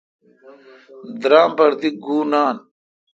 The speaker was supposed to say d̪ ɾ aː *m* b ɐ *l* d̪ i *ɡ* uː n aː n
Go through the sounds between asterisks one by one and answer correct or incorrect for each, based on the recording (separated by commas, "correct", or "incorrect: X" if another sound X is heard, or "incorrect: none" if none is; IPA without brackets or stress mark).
correct, incorrect: ɾ, correct